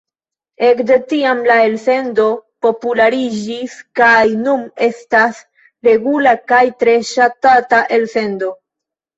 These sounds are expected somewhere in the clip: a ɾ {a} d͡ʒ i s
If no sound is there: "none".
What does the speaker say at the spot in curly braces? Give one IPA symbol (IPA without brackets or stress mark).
i